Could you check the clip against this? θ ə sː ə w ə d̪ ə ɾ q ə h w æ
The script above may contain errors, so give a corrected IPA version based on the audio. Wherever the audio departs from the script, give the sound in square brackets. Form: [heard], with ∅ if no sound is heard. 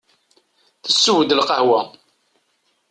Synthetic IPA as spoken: θ ə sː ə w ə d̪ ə [l] q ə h w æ